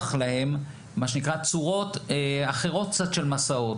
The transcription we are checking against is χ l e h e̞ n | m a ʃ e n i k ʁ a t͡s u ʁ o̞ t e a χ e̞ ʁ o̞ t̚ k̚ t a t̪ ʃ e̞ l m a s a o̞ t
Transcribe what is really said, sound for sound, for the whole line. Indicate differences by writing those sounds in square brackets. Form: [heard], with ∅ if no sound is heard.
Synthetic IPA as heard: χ l [a] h e̞ [m] | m a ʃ e n i k ʁ a t͡s u ʁ o̞ t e a χ e̞ ʁ o̞ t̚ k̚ [t͡s] a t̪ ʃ e̞ l m a s a o̞ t